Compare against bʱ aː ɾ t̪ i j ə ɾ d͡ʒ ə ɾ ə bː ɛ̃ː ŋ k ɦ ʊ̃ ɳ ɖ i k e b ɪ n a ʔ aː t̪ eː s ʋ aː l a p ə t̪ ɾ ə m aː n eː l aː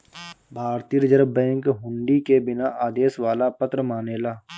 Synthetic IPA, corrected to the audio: bʱ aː ɾ t̪ i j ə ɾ d͡ʒ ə ɾ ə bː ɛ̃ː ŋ k ɦ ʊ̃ ɳ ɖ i k e b ɪ n a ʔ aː d̪ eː s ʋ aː l a p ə t̪ ɾ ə m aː n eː l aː